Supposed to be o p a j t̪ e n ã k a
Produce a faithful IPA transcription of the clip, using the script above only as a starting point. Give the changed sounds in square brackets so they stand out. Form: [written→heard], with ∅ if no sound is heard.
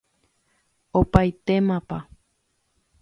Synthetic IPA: o p a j t̪ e [n→m] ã [k→p] a